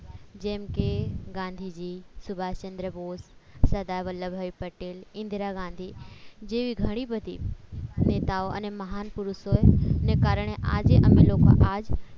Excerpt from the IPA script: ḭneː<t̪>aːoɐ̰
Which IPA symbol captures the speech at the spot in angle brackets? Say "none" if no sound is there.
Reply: t̪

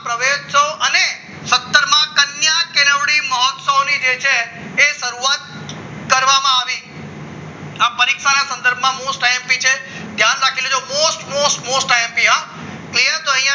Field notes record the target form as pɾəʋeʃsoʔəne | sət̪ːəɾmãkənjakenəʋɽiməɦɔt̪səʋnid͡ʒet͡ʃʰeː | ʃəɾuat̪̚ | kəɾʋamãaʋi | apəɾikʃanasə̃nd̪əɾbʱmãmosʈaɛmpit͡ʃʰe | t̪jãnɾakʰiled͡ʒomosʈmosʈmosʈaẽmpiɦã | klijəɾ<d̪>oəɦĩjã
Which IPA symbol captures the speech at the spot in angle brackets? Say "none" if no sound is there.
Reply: t̪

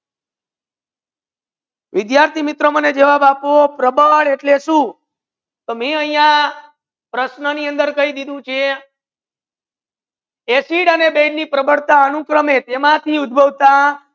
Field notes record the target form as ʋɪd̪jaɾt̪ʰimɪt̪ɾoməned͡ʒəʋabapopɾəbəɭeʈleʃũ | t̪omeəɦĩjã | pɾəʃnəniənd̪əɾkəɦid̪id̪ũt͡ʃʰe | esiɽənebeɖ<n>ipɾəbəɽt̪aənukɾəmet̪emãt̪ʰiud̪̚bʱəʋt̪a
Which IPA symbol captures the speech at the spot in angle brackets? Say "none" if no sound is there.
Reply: n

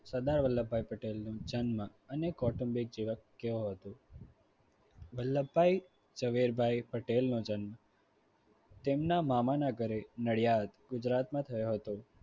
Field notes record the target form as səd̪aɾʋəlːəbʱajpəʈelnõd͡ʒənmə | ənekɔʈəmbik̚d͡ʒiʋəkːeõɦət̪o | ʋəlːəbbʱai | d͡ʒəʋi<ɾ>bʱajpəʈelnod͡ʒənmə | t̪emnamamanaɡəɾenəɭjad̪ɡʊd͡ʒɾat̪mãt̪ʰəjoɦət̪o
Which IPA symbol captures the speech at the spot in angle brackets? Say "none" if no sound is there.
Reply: ɾ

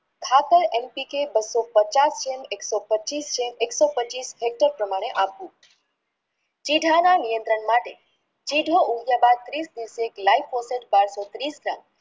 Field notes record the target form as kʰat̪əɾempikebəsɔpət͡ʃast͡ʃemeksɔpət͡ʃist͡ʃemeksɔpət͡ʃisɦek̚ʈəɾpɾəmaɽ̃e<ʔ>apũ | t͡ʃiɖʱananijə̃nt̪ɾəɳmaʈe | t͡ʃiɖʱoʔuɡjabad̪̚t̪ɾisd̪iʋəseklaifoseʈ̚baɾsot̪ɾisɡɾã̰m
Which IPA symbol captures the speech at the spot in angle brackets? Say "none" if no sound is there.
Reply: ʔ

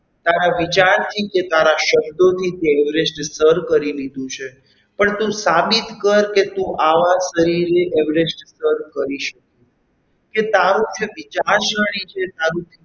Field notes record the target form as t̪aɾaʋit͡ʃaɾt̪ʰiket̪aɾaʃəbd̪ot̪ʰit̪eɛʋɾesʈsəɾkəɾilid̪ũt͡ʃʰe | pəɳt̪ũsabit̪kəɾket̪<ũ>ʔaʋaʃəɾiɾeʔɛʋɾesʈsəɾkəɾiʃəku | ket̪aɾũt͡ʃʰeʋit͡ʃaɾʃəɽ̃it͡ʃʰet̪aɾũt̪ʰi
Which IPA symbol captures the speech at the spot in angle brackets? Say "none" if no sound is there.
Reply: ũ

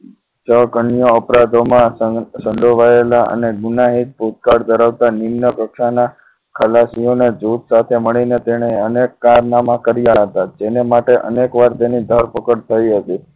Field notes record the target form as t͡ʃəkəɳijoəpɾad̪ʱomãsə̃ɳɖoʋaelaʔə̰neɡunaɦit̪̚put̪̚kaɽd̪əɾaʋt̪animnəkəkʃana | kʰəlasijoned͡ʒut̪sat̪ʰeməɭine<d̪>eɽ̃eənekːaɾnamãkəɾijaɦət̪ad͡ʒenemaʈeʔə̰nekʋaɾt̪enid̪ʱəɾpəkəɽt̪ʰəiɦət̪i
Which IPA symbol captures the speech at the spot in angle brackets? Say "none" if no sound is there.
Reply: t̪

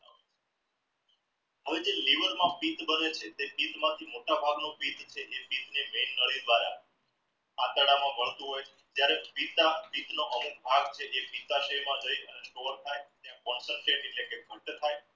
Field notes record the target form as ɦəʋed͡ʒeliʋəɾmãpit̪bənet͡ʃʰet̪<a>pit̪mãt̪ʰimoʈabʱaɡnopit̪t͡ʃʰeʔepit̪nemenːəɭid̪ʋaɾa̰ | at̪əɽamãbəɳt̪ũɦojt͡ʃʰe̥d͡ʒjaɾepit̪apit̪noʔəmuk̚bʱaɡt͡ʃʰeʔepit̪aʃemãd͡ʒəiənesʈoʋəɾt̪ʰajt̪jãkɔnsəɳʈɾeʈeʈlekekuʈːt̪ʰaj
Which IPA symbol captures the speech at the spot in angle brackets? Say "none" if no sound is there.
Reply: e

